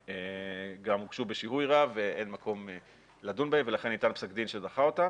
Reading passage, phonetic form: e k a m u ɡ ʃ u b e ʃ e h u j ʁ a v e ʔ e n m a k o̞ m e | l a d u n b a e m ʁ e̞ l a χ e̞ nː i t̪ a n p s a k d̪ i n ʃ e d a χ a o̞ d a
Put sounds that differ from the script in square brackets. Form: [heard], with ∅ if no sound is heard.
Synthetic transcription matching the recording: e [ɡ] a m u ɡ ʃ u b e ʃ [i] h u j ʁ a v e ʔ e n m a k o̞ m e | l a d u n b a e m [v] e̞ l a χ e̞ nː i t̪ a n p s a k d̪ i n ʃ e d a χ a o̞ [t] a